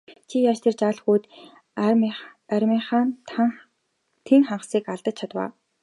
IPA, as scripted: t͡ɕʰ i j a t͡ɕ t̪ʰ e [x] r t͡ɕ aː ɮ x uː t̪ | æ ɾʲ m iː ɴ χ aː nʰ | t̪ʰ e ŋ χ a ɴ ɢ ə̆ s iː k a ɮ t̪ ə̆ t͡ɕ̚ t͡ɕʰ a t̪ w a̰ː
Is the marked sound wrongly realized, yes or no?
yes